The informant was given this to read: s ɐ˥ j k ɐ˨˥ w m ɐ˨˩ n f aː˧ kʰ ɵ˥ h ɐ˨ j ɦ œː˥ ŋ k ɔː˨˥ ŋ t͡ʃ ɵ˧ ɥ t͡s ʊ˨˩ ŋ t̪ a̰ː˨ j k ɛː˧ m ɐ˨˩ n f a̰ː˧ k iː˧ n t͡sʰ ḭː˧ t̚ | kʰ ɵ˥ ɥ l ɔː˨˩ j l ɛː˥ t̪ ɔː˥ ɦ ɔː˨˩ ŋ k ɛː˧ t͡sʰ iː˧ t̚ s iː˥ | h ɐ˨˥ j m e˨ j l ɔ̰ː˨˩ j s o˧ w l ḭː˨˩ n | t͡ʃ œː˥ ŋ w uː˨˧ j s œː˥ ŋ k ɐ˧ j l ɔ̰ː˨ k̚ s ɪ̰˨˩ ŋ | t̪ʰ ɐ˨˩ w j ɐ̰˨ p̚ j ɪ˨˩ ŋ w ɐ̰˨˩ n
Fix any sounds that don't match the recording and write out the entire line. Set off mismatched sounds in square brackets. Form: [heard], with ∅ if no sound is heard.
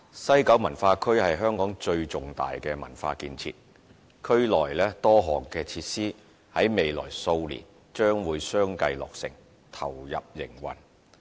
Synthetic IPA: s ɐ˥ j k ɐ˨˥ w m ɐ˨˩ n f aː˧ kʰ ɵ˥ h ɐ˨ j ɦ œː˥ ŋ k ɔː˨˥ ŋ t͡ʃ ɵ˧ ɥ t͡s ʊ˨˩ ŋ t̪ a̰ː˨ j k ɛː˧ m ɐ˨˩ n f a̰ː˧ k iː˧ n t͡sʰ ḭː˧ t̚ | kʰ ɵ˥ ɥ l ɔː˨˩ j l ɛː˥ t̪ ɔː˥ ɦ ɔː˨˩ ŋ k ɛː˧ t͡sʰ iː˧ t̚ s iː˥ | h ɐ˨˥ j m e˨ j l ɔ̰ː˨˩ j s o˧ w l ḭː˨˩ n | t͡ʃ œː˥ ŋ w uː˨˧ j s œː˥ ŋ k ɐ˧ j l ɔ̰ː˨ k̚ s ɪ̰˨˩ ŋ | t̪ʰ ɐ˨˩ w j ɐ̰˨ p̚ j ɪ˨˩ ŋ w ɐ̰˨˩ n